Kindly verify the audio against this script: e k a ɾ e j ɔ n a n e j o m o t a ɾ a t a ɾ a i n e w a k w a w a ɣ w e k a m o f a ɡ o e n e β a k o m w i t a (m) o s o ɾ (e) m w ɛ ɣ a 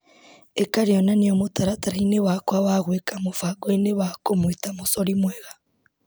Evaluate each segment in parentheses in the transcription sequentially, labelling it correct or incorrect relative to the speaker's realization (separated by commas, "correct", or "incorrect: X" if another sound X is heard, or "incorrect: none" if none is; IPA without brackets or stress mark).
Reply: correct, incorrect: i